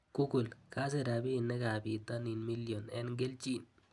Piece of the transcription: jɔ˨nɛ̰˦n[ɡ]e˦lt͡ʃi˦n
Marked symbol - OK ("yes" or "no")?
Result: yes